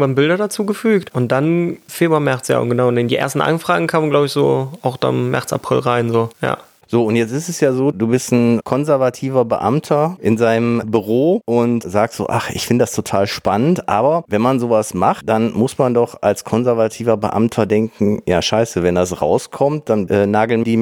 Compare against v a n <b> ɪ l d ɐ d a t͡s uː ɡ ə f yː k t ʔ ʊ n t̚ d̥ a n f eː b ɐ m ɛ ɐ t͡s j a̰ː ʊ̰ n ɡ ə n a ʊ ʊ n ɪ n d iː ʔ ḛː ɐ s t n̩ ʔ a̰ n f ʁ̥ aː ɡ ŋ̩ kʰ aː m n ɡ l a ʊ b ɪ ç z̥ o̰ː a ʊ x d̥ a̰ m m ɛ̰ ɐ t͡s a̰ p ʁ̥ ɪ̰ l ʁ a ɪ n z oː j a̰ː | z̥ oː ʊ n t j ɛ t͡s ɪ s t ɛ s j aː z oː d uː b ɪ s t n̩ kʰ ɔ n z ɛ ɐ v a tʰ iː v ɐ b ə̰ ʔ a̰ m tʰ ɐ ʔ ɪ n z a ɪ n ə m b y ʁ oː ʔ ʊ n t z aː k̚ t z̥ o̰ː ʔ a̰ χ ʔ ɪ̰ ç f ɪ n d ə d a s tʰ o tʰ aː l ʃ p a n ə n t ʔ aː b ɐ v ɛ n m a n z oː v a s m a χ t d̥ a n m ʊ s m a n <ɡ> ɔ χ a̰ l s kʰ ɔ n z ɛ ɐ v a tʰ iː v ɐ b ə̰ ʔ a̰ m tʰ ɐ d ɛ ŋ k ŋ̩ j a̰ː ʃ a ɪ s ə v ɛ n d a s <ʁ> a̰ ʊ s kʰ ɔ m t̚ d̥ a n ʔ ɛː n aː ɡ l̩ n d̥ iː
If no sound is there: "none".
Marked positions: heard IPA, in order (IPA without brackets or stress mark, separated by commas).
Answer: b, d, ʁ